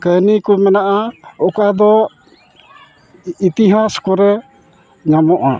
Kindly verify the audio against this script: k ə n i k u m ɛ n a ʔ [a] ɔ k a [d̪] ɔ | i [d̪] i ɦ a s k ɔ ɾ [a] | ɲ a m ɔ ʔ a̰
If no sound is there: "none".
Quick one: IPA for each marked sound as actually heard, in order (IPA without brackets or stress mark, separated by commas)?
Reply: a, d̪, t̪, ɛ